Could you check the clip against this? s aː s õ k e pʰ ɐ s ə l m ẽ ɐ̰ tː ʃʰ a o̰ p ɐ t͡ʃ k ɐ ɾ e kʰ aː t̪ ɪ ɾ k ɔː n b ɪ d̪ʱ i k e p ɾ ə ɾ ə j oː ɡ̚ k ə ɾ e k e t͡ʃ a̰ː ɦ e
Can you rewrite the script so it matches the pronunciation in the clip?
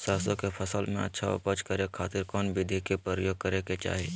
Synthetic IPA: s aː s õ k e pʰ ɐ s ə l m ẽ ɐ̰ tː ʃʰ a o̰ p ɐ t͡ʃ k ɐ ɾ e kʰ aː t̪ ɪ ɾ k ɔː n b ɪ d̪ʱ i k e p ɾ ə ɾ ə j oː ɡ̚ k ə ɾ e k e t͡ʃ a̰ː ɦ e